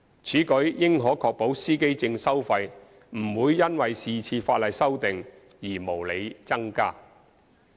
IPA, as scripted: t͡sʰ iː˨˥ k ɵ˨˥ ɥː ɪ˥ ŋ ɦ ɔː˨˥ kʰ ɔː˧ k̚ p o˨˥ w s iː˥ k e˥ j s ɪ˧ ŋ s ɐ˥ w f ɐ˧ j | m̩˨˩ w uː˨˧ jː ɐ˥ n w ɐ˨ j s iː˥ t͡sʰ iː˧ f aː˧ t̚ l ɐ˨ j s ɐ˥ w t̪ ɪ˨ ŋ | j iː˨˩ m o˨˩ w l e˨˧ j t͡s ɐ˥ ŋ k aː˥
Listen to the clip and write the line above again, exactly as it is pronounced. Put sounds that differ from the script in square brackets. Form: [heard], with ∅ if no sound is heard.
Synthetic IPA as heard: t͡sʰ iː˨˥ k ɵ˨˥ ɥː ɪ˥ ŋ ɦ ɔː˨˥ kʰ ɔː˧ k̚ p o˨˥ w s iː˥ k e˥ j [t͡s] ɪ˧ ŋ s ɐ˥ w f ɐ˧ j | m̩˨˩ w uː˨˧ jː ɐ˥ n w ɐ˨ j s [iː˨] t͡sʰ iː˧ f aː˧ t̚ l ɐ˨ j s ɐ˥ w t̪ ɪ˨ ŋ | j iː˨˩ m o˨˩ w l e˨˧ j t͡s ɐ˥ ŋ k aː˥

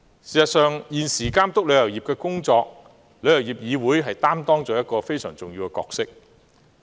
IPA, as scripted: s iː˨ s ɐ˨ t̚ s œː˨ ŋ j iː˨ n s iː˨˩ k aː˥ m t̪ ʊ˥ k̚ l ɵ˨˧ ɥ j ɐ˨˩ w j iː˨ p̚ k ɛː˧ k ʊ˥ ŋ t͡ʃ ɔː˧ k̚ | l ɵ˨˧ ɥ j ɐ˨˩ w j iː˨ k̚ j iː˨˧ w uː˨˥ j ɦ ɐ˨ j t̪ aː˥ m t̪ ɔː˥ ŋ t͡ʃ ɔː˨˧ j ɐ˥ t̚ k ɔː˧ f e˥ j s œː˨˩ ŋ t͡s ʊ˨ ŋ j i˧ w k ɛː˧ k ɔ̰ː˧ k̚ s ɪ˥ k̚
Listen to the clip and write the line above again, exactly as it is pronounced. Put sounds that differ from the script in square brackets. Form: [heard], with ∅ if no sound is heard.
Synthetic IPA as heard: s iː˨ s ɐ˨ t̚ s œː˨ ŋ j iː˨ n s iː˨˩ k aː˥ m t̪ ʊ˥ k̚ l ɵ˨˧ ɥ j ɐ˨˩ w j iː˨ p̚ k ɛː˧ k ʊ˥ ŋ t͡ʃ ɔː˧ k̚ | l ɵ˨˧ ɥ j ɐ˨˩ w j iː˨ [p̚] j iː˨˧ w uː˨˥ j ɦ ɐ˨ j t̪ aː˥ m t̪ ɔː˥ ŋ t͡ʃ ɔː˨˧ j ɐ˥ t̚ k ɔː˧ f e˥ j s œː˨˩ ŋ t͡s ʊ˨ ŋ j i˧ w k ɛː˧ k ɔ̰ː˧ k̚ s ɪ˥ k̚

